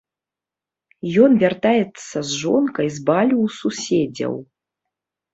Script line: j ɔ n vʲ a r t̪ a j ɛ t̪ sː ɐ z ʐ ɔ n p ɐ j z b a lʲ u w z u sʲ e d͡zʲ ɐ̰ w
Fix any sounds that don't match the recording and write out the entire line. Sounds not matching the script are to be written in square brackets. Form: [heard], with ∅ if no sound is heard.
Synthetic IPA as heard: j ɔ n vʲ a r t̪ a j ɛ t̪ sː ɐ z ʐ ɔ n [k] ɐ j z b a lʲ u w [s] u sʲ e d͡zʲ ɐ̰ w